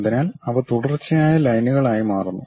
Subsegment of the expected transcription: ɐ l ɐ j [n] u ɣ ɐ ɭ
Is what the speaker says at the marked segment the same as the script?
yes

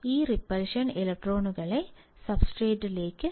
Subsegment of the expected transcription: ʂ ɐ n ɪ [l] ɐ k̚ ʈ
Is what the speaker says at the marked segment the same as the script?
yes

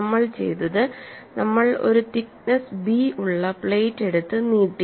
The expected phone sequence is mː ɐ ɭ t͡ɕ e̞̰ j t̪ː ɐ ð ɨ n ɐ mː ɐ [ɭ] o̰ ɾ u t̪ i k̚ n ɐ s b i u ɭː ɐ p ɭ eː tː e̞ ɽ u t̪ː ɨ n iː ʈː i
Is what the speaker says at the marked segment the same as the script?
yes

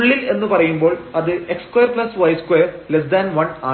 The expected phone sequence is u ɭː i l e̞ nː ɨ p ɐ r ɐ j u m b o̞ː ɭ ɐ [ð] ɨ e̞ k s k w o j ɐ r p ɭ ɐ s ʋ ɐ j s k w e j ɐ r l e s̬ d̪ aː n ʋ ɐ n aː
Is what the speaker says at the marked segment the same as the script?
yes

